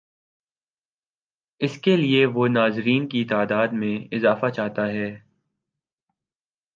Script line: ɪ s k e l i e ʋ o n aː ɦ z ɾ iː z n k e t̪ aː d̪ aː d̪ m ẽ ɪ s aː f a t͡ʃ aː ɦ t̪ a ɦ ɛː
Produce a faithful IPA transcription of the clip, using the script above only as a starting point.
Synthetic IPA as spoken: ɪ s k e l i e ʋ o n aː z ɾ iː n k i t̪ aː d̪ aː d̪ m ẽ ɪ z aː f a t͡ʃ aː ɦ t̪ a ɦ ɛː